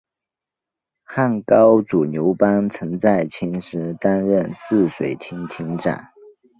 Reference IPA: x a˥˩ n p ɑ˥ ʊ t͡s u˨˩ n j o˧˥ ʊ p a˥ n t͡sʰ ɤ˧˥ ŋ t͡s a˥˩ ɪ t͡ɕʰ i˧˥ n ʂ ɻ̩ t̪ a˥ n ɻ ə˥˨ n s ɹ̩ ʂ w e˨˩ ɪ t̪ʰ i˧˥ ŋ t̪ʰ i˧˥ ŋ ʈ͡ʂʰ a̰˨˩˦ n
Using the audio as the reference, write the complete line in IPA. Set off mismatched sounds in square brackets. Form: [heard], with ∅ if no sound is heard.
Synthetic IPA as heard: x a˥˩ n [k] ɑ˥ ʊ t͡s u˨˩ n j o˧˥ ʊ p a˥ n t͡sʰ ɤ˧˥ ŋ t͡s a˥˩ ɪ t͡ɕʰ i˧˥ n ʂ ɻ̩ t̪ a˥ n ɻ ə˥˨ n s ɹ̩ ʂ w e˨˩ ɪ t̪ʰ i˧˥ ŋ t̪ʰ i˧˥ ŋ [ʈ͡ʂ] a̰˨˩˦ n

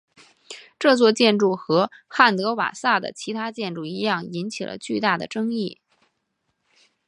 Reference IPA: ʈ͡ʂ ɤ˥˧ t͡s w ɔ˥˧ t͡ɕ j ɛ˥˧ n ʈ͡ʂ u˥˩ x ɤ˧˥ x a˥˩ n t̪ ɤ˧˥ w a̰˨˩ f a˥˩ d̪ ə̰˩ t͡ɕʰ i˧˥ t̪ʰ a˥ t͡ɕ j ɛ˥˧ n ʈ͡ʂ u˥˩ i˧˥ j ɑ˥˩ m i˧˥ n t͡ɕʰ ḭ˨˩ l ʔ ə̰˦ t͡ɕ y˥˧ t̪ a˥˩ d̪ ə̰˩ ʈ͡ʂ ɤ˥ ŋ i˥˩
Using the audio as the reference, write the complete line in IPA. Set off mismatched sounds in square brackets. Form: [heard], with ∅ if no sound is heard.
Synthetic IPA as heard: ʈ͡ʂ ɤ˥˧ t͡s w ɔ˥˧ t͡ɕ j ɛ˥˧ n ʈ͡ʂ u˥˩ x ɤ˧˥ x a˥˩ n t̪ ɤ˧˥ w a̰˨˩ [s] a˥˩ d̪ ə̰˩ t͡ɕʰ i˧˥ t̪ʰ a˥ t͡ɕ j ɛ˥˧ n ʈ͡ʂ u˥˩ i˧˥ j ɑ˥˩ [ŋ] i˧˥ n t͡ɕʰ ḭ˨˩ l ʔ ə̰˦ t͡ɕ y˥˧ t̪ a˥˩ d̪ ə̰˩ ʈ͡ʂ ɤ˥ ŋ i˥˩

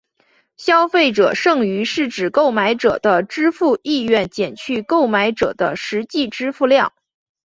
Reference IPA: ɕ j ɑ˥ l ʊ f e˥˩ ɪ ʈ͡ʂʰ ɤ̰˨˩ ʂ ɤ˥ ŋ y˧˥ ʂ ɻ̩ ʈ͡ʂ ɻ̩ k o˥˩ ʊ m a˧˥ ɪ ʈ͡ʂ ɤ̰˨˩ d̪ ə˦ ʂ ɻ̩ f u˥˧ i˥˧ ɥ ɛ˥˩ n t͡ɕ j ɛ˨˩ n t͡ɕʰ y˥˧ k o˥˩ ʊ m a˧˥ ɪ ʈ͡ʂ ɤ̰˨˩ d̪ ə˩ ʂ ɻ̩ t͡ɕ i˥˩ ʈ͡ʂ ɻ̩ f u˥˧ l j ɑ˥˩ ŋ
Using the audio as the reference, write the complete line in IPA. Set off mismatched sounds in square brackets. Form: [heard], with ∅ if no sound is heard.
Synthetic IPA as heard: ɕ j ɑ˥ [∅] ʊ f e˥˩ ɪ [ʈ͡ʂ] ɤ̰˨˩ ʂ [ɤ˥˩] ŋ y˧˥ ʂ ɻ̩ ʈ͡ʂ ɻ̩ k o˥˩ ʊ m a˧˥ ɪ ʈ͡ʂ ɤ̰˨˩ d̪ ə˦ [ʈ͡ʂ] ɻ̩ f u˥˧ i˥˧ ɥ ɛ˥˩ n t͡ɕ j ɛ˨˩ n t͡ɕʰ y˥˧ k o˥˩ ʊ m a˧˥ ɪ ʈ͡ʂ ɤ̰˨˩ d̪ [ə˦] ʂ ɻ̩ t͡ɕ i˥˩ ʈ͡ʂ ɻ̩ f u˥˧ l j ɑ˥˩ ŋ

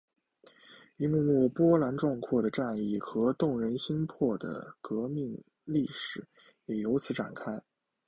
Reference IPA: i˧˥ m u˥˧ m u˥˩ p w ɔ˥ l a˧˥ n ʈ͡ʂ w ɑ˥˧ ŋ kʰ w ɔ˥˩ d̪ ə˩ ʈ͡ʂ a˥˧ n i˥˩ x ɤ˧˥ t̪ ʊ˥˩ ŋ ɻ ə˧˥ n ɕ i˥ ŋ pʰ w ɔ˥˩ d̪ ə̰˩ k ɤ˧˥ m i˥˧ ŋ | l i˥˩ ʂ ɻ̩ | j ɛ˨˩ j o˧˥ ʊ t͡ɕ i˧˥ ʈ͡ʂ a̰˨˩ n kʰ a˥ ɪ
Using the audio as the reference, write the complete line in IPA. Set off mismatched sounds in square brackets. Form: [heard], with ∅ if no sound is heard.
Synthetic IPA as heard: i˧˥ m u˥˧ m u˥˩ p w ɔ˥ l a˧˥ n ʈ͡ʂ w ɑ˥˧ ŋ kʰ w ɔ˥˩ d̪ ə˩ ʈ͡ʂ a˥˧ n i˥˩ x ɤ˧˥ t̪ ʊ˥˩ ŋ ɻ ə˧˥ n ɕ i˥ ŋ pʰ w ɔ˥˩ d̪ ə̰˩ k ɤ˧˥ m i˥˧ ŋ | l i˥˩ ʂ ɻ̩ | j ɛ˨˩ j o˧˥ ʊ [t͡ɕʰ] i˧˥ ʈ͡ʂ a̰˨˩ n kʰ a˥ ɪ

